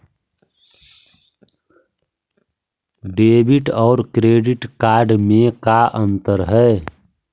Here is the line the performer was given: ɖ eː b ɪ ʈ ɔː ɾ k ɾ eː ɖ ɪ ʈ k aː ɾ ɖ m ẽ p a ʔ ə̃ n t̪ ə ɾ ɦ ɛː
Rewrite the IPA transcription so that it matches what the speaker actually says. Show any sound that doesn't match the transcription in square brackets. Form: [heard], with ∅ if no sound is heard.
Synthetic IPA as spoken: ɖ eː b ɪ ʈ ɔː ɾ k ɾ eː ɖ ɪ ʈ k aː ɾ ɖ m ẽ [k] a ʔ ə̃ n t̪ ə ɾ ɦ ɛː